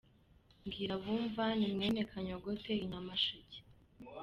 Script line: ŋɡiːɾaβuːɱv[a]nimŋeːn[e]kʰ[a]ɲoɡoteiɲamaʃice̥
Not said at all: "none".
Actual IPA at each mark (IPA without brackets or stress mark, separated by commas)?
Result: a, e, a